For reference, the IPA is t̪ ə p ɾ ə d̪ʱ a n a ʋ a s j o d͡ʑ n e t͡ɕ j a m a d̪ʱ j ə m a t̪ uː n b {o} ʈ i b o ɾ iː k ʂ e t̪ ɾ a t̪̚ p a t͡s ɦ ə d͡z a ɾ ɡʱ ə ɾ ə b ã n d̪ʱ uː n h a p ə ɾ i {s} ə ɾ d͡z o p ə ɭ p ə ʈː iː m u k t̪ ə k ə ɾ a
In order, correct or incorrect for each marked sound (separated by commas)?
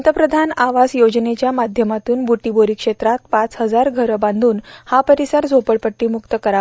incorrect, correct